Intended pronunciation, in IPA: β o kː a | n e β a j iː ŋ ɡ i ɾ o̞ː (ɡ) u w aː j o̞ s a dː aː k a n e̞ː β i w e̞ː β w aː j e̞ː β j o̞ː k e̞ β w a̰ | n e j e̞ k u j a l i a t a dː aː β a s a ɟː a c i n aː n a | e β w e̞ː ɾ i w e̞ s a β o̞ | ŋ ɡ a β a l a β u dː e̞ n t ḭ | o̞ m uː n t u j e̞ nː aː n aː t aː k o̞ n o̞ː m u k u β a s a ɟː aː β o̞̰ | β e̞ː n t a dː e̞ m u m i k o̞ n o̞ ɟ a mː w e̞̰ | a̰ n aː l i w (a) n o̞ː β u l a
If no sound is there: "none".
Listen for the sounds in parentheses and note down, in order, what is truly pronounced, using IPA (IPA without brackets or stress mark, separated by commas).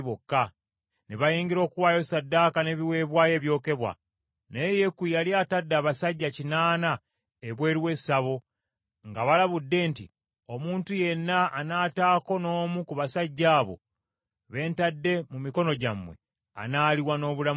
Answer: k, a